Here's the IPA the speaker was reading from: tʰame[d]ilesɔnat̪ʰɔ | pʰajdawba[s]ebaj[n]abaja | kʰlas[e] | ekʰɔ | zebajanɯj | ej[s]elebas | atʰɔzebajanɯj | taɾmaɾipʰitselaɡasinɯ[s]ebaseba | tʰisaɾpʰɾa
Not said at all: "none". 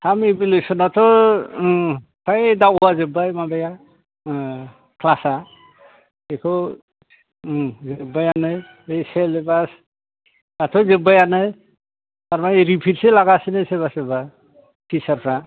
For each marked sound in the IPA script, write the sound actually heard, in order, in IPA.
b, z, m, a, s, s

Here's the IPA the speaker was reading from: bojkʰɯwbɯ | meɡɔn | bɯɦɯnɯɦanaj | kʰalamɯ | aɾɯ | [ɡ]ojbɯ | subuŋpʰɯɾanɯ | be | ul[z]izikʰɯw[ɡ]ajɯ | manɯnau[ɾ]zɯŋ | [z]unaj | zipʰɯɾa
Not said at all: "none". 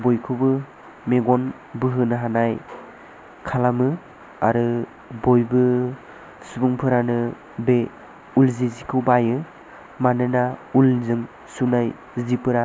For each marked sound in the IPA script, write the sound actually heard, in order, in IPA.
b, z, b, l, s

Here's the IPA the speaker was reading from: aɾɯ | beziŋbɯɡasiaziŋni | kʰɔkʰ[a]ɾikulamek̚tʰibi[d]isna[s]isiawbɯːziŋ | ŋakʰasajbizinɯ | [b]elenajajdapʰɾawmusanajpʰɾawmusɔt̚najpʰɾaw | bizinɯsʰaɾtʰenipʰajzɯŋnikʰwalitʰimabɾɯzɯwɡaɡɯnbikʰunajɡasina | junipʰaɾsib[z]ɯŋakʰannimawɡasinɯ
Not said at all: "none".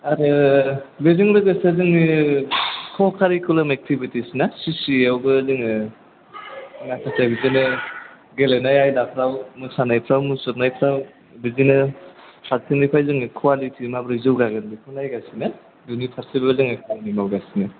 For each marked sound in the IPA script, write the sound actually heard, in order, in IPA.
a, t, s, ɡ, z

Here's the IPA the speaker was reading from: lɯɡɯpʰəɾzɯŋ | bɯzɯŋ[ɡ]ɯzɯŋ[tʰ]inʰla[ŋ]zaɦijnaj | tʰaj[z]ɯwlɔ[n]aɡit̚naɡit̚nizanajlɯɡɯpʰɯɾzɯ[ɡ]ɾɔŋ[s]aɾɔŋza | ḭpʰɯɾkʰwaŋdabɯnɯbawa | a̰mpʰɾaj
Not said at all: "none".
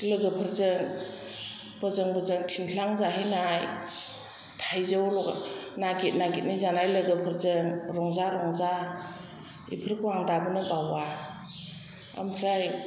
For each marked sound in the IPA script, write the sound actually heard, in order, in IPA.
b, tʰ, ŋ, z, n, ŋ, z

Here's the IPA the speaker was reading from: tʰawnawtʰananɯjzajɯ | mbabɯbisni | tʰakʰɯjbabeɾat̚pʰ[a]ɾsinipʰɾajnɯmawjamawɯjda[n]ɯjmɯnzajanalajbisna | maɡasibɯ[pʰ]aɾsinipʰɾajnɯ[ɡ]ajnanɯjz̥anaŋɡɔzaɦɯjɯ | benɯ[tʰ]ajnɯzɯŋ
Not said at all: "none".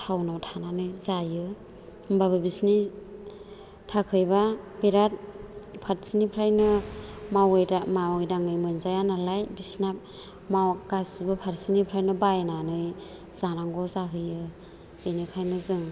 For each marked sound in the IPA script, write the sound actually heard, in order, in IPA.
a, ŋ, pʰ, b, kʰ

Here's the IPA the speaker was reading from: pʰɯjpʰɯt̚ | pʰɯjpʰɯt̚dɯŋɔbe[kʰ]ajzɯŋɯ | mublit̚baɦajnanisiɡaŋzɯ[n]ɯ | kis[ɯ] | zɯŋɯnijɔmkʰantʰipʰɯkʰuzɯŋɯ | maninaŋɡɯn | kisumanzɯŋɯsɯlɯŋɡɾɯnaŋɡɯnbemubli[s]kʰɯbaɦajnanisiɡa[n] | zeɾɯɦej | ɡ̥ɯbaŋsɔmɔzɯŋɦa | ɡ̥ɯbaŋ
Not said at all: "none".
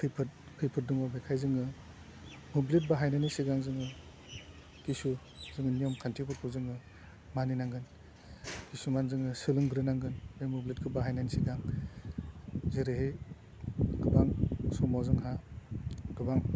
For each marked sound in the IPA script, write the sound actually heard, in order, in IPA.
kʰ, ŋ, u, t, ŋ

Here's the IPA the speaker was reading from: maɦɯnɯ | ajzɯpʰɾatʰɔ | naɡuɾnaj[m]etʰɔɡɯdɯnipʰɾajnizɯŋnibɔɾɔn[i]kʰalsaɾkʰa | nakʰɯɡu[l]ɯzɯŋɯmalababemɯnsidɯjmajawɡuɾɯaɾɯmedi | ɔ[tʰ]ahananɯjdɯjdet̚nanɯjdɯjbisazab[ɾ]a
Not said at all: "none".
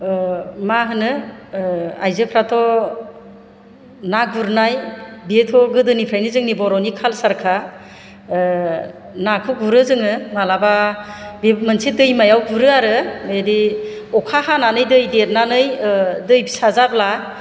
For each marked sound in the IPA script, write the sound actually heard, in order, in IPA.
b, i, ɾ, kʰ, l

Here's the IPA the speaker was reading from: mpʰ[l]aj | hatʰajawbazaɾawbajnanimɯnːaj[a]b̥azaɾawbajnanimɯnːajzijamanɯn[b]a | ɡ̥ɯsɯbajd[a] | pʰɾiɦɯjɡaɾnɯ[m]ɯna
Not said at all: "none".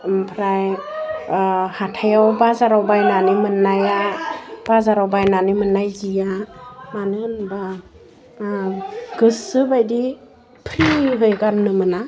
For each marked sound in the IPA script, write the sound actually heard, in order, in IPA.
ɾ, a, b, i, m

